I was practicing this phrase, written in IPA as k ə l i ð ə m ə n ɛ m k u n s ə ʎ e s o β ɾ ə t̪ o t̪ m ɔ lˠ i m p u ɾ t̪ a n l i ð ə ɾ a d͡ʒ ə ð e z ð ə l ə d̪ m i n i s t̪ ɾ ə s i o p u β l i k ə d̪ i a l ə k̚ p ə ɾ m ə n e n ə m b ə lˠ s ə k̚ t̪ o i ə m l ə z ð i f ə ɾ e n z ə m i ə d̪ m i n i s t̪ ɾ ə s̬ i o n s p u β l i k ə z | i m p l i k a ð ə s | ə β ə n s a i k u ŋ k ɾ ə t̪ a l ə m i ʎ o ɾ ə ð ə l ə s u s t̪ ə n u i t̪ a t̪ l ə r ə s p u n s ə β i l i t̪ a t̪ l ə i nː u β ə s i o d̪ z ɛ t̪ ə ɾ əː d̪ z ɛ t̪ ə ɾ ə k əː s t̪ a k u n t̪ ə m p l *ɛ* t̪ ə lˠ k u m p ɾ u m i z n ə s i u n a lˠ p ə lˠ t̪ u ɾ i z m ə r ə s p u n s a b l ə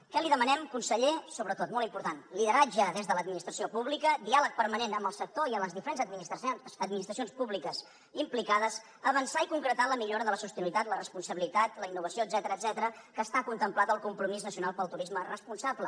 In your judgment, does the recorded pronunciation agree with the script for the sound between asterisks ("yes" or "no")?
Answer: no